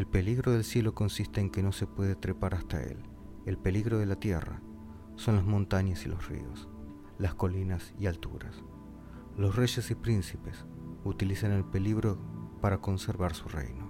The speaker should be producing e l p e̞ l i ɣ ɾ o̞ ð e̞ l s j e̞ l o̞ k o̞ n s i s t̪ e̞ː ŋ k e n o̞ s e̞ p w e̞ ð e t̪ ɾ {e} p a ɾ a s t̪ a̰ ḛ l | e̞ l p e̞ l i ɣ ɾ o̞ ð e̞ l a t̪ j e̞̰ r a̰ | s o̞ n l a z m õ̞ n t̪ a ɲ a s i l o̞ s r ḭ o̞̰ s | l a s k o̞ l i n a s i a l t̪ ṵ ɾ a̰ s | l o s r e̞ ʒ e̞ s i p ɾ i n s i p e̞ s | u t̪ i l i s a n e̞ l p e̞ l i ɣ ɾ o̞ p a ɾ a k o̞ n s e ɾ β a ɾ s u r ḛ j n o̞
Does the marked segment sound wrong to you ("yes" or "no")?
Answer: no